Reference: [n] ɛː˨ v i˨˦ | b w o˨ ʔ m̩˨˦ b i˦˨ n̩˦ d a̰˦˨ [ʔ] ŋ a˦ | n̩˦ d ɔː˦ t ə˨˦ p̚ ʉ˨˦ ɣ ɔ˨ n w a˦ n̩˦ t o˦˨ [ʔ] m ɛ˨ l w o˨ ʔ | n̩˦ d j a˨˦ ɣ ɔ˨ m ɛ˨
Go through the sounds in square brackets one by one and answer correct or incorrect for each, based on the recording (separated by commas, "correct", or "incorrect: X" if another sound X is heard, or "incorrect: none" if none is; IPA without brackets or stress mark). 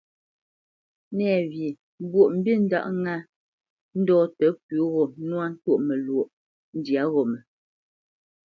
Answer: correct, correct, correct